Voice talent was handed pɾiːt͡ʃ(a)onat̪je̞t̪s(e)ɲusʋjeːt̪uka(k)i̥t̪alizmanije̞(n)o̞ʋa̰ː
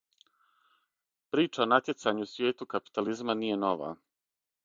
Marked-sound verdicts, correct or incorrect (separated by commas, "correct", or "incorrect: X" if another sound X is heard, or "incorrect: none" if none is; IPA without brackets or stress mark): correct, incorrect: a, incorrect: p, correct